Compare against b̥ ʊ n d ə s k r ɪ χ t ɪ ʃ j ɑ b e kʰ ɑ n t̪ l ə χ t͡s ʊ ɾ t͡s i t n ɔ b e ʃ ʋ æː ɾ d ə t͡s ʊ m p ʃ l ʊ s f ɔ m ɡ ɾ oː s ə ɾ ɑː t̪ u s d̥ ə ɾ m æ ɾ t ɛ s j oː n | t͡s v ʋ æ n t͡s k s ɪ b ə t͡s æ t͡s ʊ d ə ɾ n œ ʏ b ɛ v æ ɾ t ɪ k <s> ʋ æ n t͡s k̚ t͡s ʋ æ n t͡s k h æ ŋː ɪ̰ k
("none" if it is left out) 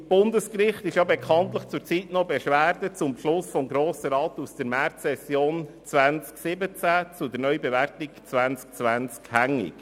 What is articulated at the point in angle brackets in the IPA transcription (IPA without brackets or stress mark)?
t͡s